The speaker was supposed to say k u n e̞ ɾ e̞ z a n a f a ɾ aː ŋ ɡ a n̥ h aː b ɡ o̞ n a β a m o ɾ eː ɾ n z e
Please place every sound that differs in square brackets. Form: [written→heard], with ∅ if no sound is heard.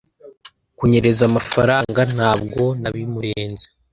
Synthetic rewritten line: k u [n→ɲ] e̞ ɾ e̞ z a [n→m] a f a ɾ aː ŋ ɡ a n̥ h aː b ɡ o̞ n a β [a→i] m [o→u] ɾ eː [ɾ→∅] n z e